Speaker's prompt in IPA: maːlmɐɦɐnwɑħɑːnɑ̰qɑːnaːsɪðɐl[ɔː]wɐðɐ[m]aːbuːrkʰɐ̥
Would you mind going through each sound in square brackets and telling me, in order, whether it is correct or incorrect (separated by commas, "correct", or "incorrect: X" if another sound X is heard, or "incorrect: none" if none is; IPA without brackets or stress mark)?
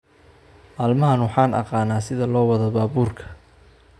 correct, incorrect: b